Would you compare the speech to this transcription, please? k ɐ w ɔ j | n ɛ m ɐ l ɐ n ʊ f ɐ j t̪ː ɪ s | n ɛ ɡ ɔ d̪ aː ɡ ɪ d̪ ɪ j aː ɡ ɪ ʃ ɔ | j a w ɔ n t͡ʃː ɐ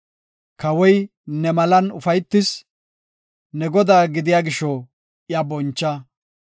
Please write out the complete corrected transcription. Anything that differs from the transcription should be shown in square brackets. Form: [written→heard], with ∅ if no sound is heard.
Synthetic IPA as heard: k ɐ w ɔ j | n ɛ m ɐ l ɐ n ʊ f ɐ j t̪ː ɪ s | n ɛ ɡ ɔ d̪ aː ɡ ɪ d̪ ɪ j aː ɡ ɪ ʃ ɔ | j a [w→b] ɔ n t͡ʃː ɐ